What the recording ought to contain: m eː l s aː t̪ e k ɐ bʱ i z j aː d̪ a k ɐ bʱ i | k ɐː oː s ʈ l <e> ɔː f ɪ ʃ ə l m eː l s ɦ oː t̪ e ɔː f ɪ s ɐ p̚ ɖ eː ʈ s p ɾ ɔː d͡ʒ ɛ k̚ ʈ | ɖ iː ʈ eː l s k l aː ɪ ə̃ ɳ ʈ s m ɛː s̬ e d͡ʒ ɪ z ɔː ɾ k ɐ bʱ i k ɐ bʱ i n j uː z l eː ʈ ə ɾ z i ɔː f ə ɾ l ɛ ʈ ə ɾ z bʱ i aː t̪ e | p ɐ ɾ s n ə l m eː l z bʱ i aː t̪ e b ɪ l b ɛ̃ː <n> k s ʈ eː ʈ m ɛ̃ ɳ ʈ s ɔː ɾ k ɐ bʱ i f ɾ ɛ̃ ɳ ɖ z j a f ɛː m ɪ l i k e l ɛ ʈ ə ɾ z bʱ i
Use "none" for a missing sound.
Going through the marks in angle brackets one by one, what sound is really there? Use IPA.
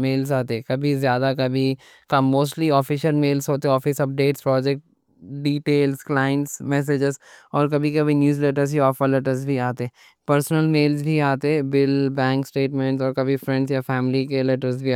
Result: i, ŋ

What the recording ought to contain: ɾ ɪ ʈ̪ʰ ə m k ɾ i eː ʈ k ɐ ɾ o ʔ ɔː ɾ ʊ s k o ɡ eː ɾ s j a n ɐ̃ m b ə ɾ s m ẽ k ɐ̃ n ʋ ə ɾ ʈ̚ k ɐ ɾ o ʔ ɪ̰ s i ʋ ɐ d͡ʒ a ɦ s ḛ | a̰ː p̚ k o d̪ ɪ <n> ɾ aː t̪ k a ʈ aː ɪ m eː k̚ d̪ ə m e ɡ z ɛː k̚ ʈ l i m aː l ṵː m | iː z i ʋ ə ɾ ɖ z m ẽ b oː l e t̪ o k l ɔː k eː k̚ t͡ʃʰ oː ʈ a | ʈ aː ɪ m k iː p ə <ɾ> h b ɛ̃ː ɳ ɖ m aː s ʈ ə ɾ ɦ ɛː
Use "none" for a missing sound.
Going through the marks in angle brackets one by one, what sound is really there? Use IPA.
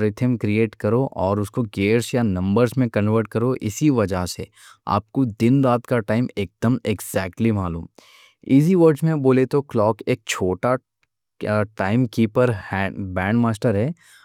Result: n, ɾ

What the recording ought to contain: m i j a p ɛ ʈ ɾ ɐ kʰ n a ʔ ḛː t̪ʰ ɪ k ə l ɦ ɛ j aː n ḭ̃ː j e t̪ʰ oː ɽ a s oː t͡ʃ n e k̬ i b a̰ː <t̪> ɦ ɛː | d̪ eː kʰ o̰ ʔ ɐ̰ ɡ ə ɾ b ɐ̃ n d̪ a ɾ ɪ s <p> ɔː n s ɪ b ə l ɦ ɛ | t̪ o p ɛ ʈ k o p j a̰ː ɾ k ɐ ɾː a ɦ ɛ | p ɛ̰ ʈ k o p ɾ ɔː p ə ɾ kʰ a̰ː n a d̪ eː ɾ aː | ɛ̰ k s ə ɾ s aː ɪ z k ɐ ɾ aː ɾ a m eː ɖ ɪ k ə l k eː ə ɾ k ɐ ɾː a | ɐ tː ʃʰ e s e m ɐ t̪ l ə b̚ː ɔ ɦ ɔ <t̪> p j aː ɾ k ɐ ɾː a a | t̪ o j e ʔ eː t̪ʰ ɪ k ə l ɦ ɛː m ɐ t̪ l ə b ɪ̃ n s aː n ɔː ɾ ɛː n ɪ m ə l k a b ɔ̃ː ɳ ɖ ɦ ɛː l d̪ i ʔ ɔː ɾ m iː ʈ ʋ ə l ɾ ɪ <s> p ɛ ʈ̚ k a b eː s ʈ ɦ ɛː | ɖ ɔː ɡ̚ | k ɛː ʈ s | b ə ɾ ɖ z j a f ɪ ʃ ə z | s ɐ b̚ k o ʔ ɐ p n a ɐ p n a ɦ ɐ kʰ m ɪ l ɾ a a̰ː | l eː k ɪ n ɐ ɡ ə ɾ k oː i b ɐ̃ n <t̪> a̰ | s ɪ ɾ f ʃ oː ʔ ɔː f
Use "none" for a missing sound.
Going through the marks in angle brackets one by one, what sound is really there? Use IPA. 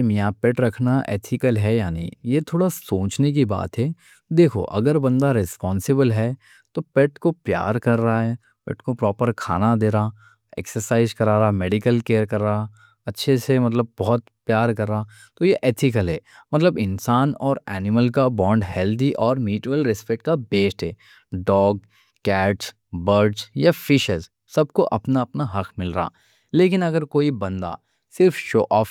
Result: t̪, p, t̪, s, d̪

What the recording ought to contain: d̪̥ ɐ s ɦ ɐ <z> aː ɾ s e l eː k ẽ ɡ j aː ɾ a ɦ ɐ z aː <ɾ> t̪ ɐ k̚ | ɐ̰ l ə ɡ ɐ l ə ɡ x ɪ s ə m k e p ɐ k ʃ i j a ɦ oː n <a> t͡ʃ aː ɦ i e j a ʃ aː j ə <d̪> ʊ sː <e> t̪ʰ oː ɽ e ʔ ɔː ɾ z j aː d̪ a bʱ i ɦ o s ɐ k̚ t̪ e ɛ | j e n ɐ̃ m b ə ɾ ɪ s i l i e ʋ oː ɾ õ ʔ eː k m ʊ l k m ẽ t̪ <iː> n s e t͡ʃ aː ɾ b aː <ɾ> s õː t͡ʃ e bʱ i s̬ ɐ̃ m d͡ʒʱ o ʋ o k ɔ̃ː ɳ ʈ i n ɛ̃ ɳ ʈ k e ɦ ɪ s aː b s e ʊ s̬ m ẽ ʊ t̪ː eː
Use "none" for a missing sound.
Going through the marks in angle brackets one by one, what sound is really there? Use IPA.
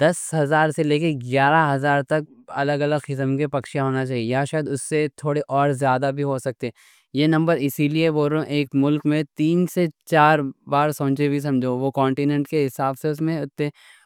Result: z, ɾ, a, d̪, e, iː, ɾ

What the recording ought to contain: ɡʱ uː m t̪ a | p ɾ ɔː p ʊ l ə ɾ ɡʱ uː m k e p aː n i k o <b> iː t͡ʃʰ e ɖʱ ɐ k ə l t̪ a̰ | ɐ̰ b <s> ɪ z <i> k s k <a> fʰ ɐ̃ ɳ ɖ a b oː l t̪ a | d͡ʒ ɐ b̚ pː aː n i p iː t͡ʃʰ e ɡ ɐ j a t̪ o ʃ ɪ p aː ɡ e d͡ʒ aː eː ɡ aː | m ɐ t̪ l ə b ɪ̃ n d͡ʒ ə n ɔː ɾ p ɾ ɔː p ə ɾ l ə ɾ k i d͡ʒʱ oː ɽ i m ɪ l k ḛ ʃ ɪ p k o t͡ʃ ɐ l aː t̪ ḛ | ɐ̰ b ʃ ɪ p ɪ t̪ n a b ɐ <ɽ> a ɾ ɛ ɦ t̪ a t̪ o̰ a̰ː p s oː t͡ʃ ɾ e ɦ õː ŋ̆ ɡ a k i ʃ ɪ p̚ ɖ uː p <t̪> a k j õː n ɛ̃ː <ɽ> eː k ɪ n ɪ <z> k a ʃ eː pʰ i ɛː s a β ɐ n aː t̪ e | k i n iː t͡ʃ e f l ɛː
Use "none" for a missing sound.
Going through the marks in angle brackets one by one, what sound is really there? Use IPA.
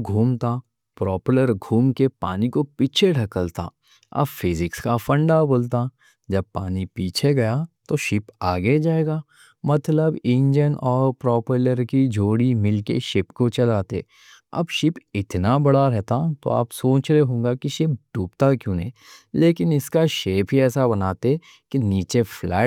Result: p, f, ɪ, a, ɽ, t̪, l, s

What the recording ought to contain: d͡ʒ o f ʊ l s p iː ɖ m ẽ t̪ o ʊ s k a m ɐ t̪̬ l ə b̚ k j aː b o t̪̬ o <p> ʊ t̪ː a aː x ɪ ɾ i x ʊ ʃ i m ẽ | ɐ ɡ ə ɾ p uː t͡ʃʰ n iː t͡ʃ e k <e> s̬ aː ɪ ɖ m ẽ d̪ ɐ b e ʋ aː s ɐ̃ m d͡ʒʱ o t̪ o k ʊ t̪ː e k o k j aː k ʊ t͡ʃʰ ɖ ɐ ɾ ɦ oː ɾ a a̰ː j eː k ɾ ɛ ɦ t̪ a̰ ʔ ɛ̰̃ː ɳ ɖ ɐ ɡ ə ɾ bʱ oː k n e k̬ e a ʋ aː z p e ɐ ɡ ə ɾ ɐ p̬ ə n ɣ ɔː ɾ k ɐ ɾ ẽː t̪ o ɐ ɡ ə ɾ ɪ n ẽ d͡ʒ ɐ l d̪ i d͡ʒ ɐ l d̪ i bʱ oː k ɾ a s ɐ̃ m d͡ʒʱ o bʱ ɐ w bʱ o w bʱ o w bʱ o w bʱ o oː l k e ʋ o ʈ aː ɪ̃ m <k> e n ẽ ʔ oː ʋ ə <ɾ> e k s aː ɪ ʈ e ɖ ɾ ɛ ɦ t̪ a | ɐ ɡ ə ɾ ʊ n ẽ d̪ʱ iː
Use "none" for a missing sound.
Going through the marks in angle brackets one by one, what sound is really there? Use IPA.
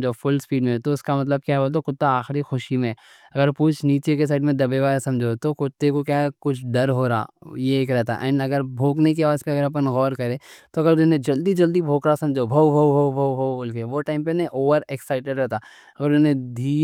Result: k, e, p, ɾ

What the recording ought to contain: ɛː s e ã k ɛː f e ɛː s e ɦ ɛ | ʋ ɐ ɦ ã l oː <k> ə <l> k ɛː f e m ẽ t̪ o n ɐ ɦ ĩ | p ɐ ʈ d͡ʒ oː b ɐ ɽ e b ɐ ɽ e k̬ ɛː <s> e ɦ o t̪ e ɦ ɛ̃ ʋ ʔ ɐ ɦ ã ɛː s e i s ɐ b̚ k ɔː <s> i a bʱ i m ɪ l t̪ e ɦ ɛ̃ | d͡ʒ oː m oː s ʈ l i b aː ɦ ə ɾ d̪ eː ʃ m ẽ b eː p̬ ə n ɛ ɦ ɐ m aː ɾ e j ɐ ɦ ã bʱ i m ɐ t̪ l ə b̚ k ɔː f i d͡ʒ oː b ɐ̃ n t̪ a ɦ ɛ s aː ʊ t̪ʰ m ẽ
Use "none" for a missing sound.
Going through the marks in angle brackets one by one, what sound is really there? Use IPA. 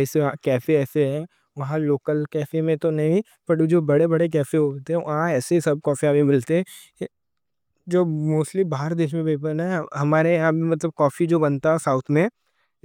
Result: k, l, f, f

